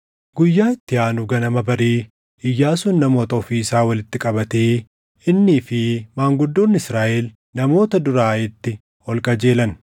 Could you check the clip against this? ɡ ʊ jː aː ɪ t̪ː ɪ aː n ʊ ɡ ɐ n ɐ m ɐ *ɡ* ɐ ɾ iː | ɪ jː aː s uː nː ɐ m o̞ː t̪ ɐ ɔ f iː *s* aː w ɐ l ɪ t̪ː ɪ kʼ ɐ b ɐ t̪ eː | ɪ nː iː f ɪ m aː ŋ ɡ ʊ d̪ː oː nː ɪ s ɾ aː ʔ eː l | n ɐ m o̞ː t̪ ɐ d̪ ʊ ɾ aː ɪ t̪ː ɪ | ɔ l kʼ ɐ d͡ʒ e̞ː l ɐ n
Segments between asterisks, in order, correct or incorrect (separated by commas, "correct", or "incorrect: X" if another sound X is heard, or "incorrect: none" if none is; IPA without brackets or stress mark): incorrect: b, correct